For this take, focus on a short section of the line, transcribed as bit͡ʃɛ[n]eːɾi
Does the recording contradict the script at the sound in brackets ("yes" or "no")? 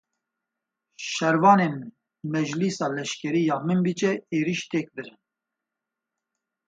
yes